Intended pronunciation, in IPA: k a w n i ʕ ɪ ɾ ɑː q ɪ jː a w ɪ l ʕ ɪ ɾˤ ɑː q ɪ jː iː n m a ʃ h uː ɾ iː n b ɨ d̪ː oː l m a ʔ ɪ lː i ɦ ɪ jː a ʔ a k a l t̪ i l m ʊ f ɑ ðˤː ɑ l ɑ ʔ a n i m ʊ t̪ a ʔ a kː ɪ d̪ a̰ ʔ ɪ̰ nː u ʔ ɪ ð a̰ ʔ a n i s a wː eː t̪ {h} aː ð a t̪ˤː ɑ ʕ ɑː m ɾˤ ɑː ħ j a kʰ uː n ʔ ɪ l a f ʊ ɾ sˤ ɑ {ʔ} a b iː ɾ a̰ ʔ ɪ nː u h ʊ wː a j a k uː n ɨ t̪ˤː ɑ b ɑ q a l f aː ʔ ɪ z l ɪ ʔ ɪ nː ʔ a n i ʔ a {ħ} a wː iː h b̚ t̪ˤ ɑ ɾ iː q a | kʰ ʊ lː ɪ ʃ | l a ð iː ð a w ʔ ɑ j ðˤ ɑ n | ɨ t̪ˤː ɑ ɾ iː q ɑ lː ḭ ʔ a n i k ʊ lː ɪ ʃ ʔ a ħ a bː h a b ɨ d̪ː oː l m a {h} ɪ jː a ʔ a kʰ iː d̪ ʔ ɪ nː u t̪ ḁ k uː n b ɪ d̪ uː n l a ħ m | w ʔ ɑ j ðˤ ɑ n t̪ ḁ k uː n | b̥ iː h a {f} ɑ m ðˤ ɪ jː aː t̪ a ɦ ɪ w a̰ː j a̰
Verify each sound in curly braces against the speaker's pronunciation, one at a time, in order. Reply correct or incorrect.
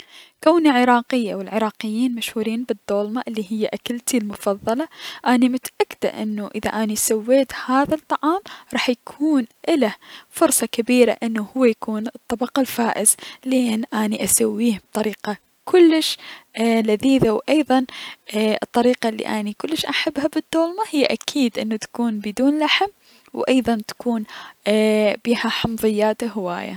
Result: correct, incorrect: k, incorrect: s, correct, incorrect: ħ

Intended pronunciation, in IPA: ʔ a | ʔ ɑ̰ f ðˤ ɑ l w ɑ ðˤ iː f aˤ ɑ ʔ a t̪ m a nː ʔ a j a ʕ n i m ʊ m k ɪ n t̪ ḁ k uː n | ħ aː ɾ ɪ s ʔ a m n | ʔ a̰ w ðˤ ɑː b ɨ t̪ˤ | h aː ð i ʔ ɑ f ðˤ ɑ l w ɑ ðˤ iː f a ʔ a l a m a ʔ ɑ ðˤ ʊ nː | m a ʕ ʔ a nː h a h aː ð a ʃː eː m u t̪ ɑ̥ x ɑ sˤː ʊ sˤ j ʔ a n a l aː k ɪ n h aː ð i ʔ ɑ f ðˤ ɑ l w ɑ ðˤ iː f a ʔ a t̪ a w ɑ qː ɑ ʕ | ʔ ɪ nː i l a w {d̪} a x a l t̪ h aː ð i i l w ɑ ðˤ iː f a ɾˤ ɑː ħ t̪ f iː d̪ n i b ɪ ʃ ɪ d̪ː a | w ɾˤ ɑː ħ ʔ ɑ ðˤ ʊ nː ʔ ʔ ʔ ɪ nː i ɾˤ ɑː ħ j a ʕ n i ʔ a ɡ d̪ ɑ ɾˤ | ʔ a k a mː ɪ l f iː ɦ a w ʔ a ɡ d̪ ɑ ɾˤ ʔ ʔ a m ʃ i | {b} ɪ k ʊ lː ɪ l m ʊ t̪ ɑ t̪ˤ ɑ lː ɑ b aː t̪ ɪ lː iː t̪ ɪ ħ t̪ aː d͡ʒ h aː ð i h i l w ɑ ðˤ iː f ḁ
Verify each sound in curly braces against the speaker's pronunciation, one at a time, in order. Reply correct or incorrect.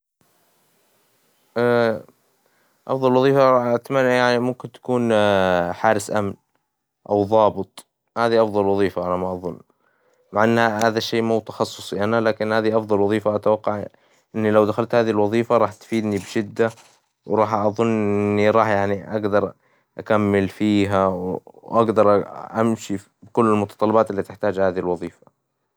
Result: correct, correct

